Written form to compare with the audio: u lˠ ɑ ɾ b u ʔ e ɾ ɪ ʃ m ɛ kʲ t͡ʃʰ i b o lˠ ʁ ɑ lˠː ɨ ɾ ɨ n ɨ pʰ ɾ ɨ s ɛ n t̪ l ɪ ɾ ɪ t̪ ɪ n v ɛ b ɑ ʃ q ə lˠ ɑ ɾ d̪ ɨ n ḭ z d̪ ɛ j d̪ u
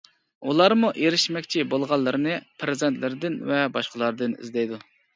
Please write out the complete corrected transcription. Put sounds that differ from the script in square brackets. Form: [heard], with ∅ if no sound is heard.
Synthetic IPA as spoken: u lˠ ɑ ɾ [m] u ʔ e ɾ ɪ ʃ m ɛ kʲ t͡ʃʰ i b o lˠ ʁ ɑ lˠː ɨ ɾ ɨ n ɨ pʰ ɾ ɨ [z] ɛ n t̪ l ɪ ɾ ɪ [d̪] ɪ n v ɛ b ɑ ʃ q ə lˠ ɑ ɾ d̪ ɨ n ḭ z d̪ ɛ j d̪ u